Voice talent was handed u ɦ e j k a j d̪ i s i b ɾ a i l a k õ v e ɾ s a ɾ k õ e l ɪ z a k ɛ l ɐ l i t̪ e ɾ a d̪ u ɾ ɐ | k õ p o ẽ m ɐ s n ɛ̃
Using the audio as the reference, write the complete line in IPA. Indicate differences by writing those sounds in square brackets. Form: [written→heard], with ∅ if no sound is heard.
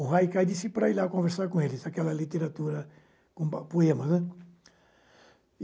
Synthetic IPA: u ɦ [e→a] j k a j d̪ i s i [b→p] ɾ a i l a k õ v e ɾ s a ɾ k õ e l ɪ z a k ɛ l ɐ l i t̪ e ɾ a [d̪→t̪] u ɾ ɐ | k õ p o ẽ m ɐ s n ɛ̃